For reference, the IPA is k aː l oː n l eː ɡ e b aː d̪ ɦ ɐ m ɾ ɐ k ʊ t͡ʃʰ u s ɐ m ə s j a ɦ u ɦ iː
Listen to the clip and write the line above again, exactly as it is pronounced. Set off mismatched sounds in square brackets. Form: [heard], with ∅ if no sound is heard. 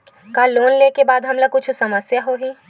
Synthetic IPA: k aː l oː n l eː [k] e b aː d̪ ɦ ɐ m [l] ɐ k ʊ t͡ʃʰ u s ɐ m ə s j a ɦ [o] ɦ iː